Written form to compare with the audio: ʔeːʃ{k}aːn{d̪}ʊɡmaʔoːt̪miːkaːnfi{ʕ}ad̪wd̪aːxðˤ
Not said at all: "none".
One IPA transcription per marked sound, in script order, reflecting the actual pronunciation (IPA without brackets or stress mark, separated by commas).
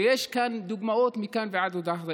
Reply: k, d̪, ʕ